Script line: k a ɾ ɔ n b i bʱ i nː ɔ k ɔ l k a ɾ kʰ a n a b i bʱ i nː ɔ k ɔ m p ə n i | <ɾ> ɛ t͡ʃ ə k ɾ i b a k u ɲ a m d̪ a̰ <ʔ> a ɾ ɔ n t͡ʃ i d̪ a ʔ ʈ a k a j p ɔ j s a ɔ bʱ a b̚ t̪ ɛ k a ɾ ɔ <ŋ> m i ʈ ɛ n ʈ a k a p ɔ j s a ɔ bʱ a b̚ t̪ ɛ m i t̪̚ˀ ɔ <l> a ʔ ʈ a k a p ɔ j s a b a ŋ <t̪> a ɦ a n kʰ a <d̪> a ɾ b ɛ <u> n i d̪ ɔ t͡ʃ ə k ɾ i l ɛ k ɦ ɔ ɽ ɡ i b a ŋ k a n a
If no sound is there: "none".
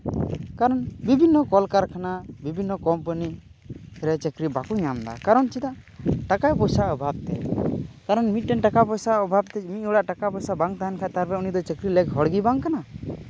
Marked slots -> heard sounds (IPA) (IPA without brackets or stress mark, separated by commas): ɾ, k, n, ɽ, t̪, t̪, u